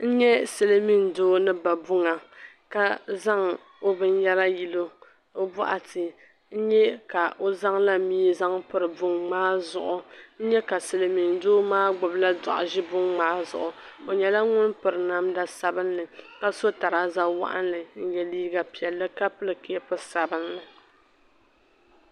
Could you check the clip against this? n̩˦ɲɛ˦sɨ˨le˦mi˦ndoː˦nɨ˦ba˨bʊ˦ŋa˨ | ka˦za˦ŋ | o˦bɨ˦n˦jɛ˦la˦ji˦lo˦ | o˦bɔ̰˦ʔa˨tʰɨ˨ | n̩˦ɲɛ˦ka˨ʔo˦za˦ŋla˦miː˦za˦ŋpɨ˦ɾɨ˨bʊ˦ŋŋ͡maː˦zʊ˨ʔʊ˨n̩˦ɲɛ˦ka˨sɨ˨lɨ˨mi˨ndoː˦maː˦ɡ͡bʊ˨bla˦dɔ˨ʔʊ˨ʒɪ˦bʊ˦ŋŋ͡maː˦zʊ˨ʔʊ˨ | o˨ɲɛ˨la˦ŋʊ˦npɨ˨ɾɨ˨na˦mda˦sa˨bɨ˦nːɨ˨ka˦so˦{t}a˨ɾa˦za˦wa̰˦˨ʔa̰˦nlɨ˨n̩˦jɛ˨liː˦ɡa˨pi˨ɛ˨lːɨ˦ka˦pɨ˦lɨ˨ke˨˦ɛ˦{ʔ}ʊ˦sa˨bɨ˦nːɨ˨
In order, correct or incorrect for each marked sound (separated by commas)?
correct, incorrect